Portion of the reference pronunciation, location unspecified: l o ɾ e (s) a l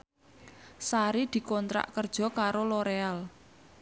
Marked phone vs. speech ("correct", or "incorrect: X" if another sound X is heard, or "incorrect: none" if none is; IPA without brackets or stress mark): incorrect: none